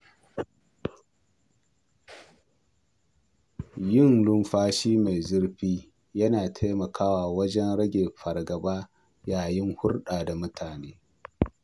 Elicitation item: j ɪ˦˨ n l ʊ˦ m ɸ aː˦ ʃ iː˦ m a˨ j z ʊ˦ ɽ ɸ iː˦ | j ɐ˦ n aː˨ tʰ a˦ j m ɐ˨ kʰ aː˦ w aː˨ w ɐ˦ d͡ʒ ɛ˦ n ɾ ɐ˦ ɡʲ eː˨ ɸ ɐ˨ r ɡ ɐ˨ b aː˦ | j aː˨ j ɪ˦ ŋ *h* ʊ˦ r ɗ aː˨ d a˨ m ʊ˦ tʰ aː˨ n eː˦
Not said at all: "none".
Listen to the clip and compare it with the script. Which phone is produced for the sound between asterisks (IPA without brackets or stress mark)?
h